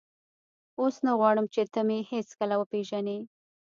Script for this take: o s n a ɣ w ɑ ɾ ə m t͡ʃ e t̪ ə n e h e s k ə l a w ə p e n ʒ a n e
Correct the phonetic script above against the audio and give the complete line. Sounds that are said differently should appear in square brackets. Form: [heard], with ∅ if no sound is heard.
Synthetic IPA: o s n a ɣ w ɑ [ɽ] ə m t͡ʃ e t̪ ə [m] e h e s k ə l a w ə p e [∅] ʒ a n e